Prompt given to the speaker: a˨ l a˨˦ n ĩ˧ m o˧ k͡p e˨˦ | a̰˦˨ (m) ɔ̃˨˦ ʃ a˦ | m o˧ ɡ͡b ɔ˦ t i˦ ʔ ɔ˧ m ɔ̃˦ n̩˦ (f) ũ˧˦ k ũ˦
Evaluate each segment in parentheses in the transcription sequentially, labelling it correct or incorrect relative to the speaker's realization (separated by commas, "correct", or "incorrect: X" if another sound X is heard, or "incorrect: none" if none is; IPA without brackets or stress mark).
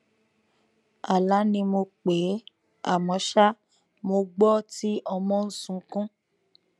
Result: correct, incorrect: s